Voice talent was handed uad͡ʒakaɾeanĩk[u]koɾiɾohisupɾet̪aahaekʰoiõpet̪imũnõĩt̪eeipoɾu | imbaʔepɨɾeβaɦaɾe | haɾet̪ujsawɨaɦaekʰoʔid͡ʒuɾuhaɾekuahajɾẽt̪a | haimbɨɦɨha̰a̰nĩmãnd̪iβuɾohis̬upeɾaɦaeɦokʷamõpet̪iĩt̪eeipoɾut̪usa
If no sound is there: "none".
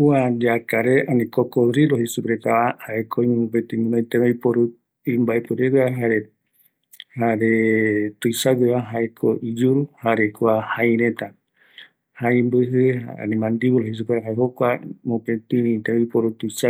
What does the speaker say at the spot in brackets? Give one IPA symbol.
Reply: o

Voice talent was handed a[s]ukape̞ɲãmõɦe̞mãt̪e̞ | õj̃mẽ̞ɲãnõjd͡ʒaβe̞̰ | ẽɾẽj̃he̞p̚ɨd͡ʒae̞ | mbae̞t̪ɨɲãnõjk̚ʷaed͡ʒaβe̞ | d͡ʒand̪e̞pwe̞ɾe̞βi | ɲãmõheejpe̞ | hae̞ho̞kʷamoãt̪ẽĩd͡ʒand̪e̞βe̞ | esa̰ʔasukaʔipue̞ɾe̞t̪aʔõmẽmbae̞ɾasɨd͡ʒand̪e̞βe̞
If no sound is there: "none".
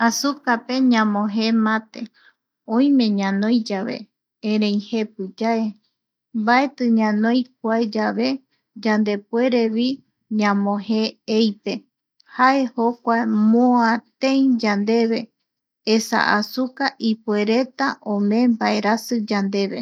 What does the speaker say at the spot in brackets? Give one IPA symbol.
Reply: s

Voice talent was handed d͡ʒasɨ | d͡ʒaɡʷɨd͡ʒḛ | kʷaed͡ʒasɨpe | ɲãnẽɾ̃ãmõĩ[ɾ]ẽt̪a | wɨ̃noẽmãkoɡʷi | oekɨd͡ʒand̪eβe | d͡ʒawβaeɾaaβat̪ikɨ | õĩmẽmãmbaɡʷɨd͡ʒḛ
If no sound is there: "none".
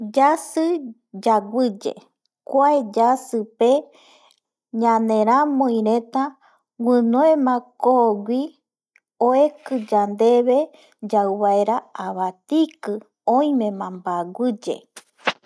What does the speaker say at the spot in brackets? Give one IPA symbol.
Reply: ɾ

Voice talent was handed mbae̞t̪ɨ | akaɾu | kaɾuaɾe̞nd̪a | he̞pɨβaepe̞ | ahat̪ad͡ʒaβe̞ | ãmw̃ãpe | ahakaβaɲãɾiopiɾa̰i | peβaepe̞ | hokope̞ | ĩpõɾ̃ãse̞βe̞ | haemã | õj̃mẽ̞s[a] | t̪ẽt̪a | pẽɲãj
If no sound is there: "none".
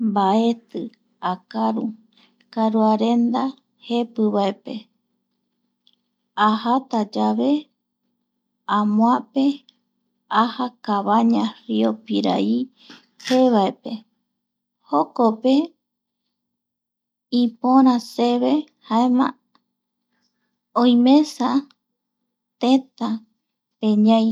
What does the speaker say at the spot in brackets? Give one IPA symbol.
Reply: a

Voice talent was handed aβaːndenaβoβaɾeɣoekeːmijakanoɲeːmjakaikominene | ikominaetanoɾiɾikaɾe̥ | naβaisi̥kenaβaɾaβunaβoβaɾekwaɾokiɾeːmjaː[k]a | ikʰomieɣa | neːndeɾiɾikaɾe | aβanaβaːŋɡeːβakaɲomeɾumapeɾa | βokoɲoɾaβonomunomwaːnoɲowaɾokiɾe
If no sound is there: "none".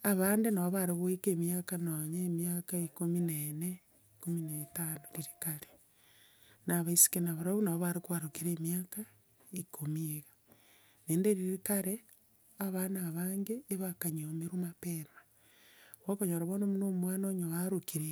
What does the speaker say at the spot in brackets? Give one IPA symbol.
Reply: k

